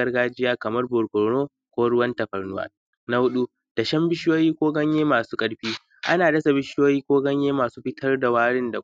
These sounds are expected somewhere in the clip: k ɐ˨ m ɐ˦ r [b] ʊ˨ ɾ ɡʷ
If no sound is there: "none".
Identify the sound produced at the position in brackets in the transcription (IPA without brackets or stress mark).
b